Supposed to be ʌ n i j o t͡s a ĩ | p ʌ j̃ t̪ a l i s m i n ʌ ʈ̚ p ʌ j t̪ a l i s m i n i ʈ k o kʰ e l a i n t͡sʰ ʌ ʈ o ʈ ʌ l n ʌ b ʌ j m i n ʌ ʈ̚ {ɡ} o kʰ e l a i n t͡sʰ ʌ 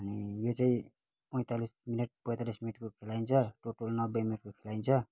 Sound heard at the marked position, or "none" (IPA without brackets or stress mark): k